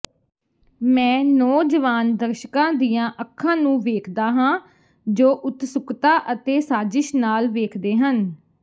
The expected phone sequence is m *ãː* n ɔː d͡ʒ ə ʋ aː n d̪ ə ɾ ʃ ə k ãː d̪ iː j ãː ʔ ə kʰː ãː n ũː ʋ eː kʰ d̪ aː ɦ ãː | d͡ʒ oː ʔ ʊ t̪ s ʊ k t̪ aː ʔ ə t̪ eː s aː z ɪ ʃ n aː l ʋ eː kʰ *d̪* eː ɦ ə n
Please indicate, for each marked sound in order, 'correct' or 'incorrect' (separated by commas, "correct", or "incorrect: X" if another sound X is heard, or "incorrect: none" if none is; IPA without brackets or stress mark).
incorrect: ɛ̃ː, correct